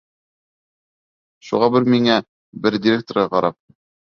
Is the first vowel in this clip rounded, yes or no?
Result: yes